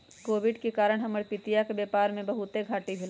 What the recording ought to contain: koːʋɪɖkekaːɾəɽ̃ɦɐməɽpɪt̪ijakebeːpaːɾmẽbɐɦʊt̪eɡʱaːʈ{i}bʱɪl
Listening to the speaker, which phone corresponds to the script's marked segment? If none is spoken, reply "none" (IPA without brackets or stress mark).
i